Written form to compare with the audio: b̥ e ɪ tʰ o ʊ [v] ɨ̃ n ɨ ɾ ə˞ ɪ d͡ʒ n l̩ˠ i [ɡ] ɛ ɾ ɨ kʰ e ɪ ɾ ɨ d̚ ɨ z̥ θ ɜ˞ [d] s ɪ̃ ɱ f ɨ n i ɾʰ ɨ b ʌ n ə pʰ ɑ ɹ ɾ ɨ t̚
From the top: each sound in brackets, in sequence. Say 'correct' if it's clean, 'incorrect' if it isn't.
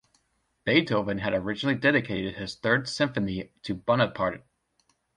correct, incorrect: d, correct

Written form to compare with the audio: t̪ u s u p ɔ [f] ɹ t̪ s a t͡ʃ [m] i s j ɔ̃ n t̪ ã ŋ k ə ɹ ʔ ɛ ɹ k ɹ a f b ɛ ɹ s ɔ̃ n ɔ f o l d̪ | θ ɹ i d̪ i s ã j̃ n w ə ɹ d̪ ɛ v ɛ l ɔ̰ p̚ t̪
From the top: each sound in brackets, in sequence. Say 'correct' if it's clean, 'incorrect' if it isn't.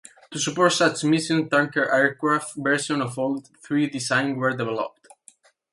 incorrect: none, correct

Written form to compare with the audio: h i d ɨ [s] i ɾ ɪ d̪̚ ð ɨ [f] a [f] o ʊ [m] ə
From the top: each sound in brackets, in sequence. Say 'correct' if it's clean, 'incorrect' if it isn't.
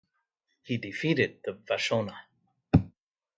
incorrect: f, incorrect: v, incorrect: ʃ, incorrect: n

